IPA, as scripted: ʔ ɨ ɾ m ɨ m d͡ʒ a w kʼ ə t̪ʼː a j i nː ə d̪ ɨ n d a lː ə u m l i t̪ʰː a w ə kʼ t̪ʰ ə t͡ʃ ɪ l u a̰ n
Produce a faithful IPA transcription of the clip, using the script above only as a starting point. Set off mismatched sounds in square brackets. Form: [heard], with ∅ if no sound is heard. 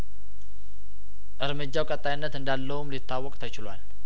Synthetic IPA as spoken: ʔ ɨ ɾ m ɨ [∅] d͡ʒ a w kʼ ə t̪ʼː a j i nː ə [t̪] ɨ n d a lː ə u m l i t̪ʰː a w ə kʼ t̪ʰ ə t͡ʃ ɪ l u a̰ n

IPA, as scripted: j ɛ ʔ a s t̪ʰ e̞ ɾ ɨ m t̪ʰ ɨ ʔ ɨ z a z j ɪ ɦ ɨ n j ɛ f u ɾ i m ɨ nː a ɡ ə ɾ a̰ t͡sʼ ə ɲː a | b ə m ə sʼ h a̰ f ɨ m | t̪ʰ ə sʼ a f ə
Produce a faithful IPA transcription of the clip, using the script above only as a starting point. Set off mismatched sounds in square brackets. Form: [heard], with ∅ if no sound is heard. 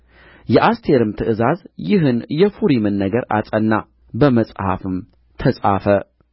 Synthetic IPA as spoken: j ɛ ʔ a s t̪ʰ e̞ ɾ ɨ m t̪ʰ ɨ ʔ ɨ z a z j ɪ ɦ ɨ n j ɛ f u ɾ i m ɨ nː [ə] ɡ ə ɾ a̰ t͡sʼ ə [nː] a | b ə m ə sʼ h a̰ f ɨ m | t̪ʰ ə sʼ a f ə

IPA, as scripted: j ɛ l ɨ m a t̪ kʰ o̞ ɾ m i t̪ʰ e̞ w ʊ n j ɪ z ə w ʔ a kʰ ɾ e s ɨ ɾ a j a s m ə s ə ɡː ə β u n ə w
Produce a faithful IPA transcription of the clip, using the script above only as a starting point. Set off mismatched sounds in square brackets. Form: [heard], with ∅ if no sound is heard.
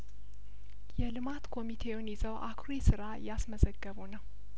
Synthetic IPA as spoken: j ɛ l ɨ m a t̪ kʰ o̞ [∅] m i t̪ʰ e̞ w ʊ n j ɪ z ə w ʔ a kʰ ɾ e s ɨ ɾ a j a s m ə [z] ə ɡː ə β u n ə w

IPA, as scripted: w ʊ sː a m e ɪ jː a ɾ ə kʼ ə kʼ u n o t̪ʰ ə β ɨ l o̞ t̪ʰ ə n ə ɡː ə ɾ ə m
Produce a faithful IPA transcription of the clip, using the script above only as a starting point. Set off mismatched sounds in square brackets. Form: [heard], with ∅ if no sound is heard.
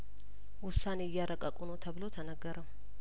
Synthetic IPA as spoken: w ʊ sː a [n] e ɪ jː a ɾ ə kʼ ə kʼ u n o t̪ʰ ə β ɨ l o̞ t̪ʰ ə n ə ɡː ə ɾ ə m

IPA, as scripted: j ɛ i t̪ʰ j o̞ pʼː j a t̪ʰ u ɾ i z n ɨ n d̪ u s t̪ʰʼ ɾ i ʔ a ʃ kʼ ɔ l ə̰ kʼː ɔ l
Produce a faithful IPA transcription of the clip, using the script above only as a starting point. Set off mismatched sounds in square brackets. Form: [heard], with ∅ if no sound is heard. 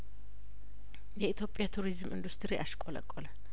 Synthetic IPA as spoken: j ɛ i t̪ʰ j o̞ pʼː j a t̪ʰ u ɾ i z [m] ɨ n d̪ u s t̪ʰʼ ɾ i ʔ a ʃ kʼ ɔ l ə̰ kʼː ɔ l

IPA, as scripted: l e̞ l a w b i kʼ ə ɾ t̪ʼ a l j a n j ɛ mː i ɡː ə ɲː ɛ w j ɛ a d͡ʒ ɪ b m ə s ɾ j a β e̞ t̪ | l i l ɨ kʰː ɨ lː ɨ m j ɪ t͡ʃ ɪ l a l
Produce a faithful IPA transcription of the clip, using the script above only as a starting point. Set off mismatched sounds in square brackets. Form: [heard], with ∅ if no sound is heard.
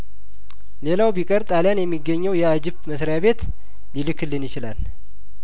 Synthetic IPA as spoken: l e̞ l a w b i kʼ ə ɾ t̪ʼ a l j a n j ɛ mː i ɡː ə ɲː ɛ w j ɛ a d͡ʒ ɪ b m ə s ɾ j a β e̞ t̪ | l i l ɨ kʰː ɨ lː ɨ [n] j ɪ t͡ʃ ɪ l a l

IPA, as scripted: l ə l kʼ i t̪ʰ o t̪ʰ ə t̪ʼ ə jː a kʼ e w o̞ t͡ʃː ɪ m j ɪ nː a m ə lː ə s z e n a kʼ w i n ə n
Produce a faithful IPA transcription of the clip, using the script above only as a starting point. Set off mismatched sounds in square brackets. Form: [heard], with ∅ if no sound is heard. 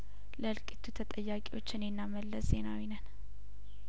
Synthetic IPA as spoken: l ə l kʼ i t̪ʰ [u] t̪ʰ ə t̪ʼ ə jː a kʼ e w o̞ t͡ʃː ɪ [n] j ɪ nː a m ə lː ə s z e n a [∅] w i n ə n

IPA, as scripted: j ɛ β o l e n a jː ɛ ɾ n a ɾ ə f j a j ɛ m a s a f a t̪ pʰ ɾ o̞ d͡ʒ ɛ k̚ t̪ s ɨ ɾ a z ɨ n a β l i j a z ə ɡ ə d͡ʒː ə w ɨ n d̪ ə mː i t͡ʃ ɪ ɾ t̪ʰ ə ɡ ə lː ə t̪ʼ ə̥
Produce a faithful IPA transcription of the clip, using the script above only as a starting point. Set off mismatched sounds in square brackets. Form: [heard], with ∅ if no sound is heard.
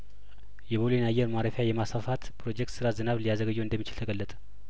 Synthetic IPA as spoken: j ɛ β o l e n a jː ɛ ɾ [m] a ɾ ə f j a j ɛ m a s a f a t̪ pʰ ɾ o̞ d͡ʒ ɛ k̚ t̪ s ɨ ɾ a z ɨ n a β l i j a z ə ɡ ə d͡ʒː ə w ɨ n d̪ ə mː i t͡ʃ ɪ [l] t̪ʰ ə ɡ ə lː ə t̪ʼ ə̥

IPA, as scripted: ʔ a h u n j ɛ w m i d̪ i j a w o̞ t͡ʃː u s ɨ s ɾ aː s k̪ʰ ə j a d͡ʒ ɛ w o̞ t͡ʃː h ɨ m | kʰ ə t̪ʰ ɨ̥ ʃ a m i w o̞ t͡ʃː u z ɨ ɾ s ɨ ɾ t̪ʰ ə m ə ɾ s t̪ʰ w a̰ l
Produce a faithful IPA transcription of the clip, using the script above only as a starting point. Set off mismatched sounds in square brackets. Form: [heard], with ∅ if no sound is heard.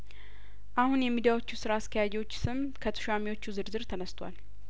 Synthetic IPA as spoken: ʔ a h u n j ɛ [∅] m i d̪ i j a w o̞ t͡ʃː u s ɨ [∅] ɾ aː s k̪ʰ ə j a d͡ʒ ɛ w o̞ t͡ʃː [s] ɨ m | kʰ ə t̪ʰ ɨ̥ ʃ a m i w o̞ t͡ʃː u z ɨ ɾ [z] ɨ ɾ t̪ʰ ə [n] ə [∅] s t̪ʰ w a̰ l

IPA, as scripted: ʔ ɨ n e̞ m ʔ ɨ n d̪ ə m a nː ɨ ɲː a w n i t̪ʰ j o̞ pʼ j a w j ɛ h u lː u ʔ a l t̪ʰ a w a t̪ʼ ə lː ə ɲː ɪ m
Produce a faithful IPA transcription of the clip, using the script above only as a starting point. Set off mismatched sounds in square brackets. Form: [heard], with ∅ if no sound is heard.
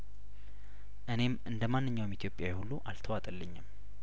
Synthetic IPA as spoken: ʔ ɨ n e̞ m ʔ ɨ n d̪ ə m a nː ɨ ɲː a w [m] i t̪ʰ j o̞ pʼ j a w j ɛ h u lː u ʔ a l t̪ʰ [ə] w a t̪ʼ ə lː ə ɲː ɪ m

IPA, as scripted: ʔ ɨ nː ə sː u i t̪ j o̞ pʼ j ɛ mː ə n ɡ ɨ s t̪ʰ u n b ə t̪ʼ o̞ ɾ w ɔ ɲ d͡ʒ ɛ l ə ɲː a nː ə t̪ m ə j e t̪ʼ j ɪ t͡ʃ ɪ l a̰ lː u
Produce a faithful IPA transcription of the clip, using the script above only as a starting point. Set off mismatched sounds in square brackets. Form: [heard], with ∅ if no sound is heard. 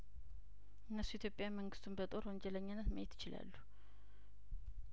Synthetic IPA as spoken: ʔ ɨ nː ə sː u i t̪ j o̞ pʼ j [a] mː ə [ŋ] ɡ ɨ s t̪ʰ u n b ə t̪ʼ o̞ ɾ w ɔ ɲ d͡ʒ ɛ l ə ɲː a nː ə t̪ m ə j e [t̪] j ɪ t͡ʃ ɪ l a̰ lː u

